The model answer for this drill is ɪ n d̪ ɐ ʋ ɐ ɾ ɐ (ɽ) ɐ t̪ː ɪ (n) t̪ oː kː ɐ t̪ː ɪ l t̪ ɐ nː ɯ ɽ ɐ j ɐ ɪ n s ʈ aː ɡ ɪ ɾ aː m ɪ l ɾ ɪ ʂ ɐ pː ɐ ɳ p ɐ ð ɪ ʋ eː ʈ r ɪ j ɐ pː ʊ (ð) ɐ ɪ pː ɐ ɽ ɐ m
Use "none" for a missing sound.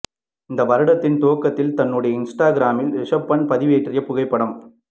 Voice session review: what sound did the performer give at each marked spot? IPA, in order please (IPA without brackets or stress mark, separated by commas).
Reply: ɽ, n, ɣ